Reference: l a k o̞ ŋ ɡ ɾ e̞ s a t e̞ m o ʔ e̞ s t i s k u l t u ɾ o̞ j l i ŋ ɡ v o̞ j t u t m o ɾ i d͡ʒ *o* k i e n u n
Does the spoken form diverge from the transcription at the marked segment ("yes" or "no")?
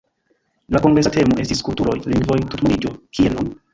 no